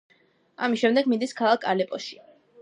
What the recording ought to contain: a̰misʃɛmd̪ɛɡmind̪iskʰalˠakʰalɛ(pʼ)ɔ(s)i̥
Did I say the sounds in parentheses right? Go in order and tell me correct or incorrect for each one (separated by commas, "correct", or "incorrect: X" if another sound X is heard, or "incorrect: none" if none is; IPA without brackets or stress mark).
correct, incorrect: ʃ